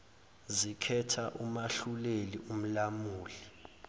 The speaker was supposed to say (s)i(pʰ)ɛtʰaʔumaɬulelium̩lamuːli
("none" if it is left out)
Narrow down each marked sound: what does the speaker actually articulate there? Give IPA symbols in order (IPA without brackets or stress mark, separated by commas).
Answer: z, kʰ